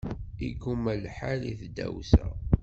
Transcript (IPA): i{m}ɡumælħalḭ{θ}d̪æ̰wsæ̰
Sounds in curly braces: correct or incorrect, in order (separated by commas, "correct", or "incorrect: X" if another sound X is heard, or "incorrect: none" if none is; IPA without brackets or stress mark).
incorrect: none, correct